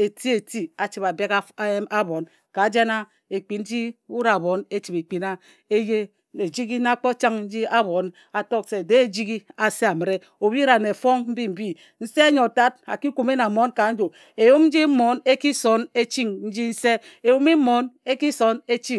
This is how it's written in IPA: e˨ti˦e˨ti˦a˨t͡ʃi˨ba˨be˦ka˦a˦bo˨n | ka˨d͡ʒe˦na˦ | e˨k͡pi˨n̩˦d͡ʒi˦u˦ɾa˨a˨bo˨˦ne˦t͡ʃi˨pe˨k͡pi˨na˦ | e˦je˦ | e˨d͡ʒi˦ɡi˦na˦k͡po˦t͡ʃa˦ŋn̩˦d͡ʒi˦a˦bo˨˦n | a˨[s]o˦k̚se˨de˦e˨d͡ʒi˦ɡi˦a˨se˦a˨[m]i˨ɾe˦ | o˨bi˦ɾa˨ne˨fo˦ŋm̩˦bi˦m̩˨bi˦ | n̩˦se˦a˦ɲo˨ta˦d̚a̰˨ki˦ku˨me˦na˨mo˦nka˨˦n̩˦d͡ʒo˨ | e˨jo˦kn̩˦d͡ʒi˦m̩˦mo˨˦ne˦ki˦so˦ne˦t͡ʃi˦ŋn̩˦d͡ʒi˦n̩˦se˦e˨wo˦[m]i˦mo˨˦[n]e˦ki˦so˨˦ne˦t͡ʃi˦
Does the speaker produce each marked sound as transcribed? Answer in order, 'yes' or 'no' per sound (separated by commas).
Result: no, yes, yes, yes